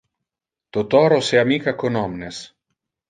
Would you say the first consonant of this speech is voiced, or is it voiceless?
voiceless